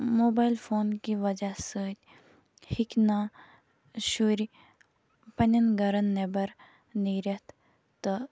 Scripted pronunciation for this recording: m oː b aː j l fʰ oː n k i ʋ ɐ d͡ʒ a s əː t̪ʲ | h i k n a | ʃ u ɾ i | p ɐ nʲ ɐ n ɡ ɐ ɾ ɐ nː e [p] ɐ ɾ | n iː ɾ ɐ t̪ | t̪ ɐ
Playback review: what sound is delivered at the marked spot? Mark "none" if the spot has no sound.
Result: b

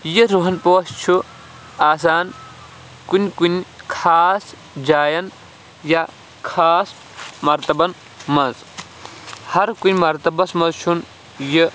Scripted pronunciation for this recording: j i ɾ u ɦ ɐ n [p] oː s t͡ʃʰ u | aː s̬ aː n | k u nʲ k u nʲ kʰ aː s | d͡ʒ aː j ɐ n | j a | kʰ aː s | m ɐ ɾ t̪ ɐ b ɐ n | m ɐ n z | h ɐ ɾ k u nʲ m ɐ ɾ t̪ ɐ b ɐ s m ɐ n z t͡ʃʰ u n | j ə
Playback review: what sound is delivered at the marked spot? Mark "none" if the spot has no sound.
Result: p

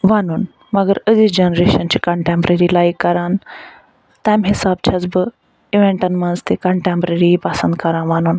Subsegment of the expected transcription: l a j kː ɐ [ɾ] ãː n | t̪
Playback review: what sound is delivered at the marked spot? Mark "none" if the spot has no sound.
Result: ɾ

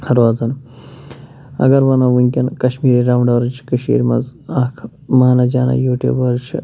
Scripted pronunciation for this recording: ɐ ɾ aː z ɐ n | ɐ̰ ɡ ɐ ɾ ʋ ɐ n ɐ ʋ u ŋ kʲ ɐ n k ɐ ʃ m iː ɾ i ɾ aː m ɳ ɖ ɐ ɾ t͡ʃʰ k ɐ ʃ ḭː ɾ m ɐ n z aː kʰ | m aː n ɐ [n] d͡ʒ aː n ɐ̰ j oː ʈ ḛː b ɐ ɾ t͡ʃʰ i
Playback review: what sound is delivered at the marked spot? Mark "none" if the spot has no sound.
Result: none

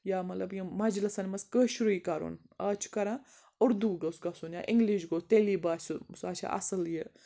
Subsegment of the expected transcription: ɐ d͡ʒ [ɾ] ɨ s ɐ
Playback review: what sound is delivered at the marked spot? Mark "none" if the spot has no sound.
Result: l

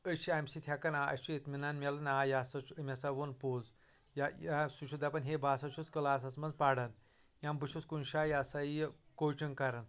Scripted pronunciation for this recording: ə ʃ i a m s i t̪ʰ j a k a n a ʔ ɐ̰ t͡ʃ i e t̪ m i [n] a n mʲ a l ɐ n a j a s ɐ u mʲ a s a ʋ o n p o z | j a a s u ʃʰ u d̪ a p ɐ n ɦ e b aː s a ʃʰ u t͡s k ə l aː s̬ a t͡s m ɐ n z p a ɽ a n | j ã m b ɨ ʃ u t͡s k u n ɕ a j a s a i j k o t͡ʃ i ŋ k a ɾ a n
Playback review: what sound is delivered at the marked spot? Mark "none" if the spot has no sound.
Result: n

